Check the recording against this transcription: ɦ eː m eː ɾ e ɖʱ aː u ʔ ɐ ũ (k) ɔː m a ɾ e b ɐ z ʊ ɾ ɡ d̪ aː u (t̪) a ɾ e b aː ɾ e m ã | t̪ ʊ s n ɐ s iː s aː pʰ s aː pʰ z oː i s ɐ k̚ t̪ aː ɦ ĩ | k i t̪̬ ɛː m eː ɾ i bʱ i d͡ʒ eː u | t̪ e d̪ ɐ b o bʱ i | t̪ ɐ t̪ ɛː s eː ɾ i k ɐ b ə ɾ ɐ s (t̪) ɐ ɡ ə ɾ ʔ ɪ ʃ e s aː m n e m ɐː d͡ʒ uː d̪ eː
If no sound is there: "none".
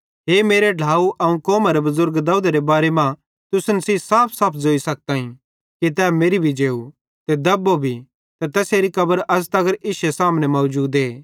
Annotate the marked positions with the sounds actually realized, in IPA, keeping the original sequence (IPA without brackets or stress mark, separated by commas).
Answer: k, d̪, t̪